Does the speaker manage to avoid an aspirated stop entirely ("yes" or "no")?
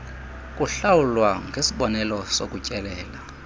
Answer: yes